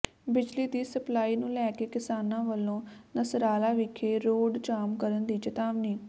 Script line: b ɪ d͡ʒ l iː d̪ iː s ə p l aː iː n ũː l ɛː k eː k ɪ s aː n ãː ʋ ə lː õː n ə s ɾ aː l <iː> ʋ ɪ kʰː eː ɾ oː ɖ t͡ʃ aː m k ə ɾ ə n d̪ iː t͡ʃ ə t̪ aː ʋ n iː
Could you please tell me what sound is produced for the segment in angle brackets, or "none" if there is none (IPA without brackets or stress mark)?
aː